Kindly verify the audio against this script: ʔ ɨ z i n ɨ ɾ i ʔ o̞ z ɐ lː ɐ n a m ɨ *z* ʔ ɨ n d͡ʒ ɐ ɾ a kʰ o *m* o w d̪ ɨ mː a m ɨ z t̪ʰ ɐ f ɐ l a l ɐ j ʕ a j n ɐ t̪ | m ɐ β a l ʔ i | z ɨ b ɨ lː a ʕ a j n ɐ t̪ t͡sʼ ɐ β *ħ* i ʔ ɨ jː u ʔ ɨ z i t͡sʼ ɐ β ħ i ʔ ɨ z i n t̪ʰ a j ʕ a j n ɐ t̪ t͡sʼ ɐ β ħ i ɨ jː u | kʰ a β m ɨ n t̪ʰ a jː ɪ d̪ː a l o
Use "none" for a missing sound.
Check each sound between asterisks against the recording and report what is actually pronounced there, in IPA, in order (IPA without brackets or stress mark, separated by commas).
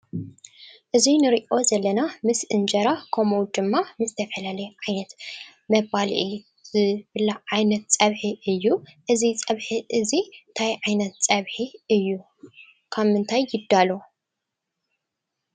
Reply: s, m, ħ